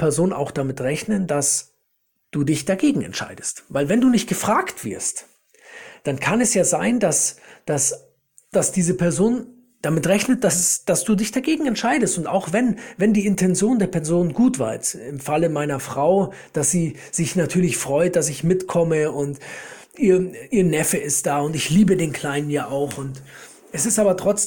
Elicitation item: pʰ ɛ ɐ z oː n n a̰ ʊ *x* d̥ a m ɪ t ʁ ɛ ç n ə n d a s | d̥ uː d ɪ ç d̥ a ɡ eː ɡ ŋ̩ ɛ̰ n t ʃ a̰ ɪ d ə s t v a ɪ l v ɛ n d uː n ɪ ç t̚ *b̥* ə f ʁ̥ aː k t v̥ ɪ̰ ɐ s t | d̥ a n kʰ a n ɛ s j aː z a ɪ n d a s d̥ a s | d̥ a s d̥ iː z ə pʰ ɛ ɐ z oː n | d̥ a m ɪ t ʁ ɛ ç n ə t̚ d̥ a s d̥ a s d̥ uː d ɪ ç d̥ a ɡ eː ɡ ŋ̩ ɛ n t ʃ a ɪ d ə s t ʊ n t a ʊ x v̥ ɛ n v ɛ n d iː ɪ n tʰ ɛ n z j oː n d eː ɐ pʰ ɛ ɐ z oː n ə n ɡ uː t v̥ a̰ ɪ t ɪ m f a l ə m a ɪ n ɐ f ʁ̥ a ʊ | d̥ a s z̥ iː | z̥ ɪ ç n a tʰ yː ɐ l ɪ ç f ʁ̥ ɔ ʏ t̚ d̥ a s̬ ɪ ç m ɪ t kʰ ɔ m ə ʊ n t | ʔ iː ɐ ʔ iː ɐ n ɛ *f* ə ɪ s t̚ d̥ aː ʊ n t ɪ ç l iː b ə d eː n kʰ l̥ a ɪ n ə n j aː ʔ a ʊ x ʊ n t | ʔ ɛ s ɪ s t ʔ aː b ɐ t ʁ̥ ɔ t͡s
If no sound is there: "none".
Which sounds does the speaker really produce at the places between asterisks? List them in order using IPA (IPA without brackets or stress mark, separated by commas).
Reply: x, ɡ̥, f